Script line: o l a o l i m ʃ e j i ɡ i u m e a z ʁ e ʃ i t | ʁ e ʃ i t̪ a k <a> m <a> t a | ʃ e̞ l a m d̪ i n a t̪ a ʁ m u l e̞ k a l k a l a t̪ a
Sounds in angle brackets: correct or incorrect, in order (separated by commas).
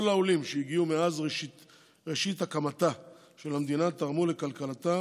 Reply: correct, correct